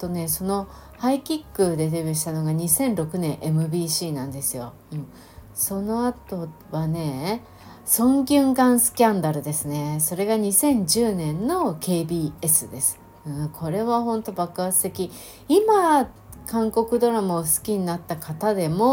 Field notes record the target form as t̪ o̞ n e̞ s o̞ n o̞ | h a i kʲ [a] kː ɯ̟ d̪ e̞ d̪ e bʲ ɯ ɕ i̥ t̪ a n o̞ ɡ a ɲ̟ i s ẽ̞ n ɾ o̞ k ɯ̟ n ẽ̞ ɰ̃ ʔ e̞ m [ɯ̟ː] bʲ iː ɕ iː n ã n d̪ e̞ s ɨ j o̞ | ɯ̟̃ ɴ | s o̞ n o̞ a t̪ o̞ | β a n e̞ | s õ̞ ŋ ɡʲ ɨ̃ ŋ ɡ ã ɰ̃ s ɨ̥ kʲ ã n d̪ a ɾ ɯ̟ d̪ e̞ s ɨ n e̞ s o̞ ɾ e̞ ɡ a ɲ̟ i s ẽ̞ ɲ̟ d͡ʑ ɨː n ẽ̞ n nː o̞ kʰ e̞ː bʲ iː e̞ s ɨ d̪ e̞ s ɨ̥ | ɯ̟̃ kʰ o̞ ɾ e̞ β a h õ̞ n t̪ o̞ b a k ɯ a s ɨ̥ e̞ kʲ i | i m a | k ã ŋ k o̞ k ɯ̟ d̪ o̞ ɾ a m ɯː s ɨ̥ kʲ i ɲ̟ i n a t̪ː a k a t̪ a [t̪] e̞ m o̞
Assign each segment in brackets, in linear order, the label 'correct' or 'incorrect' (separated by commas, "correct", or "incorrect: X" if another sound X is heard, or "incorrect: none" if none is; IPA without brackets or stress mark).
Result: incorrect: i, incorrect: ɯ̟, incorrect: d̪